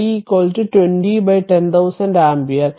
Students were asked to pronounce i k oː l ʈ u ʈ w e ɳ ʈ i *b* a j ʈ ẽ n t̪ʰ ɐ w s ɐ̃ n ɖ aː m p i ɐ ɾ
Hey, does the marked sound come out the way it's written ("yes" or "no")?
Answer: yes